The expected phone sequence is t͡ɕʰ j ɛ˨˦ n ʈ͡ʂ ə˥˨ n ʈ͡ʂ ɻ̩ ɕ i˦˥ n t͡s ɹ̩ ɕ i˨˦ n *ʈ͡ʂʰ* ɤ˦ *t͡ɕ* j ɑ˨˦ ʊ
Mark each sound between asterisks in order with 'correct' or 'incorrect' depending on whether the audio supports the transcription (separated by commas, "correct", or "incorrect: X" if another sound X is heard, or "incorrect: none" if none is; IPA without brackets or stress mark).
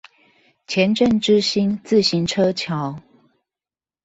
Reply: correct, incorrect: t͡ɕʰ